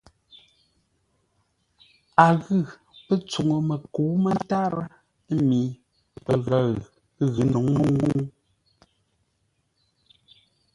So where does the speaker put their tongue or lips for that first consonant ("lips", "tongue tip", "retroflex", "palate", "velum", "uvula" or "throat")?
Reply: velum